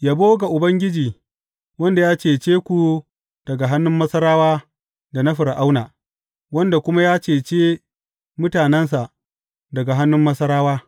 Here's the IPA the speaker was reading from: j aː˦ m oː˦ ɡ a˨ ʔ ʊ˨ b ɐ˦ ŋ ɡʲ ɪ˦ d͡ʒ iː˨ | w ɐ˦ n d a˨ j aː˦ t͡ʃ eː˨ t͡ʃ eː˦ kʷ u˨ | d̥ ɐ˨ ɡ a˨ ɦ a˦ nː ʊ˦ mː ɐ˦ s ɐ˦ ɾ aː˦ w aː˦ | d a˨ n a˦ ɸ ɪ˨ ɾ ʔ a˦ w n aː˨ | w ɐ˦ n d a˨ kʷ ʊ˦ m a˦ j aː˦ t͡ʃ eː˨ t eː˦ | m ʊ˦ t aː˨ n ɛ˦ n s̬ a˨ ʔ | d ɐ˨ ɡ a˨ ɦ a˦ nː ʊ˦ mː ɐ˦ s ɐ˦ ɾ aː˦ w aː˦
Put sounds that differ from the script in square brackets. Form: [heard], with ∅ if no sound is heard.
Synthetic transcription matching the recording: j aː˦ [b] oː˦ ɡ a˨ ʔ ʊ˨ b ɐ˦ ŋ ɡʲ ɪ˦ d͡ʒ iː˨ | w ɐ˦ n d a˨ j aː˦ t͡ʃ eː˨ t͡ʃ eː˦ kʷ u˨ | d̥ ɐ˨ ɡ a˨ ɦ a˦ nː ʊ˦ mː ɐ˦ s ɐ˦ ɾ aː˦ w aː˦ | d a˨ n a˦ ɸ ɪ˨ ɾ ʔ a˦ w n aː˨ | w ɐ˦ n d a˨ kʷ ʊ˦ m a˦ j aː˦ t͡ʃ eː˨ [t͡ʃ] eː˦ | m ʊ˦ t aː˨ n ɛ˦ n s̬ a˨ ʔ | d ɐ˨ ɡ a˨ ɦ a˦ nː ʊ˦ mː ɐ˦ s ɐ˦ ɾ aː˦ w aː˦